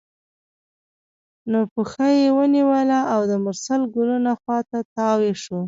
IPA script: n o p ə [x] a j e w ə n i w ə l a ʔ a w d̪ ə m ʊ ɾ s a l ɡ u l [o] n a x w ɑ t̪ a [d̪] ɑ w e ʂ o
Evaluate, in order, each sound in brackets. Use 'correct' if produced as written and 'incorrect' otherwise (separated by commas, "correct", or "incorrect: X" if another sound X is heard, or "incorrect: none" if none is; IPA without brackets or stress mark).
correct, incorrect: u, incorrect: t̪